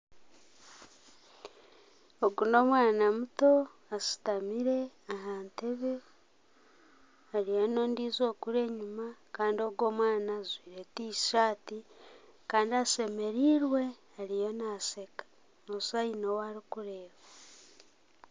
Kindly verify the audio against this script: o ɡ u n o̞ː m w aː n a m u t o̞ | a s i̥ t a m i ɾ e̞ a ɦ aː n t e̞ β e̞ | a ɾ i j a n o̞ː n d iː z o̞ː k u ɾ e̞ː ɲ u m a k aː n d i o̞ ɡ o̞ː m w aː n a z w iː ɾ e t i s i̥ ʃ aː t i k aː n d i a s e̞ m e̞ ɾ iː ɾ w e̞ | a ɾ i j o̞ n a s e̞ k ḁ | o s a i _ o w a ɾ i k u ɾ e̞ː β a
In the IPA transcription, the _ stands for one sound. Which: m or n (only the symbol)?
n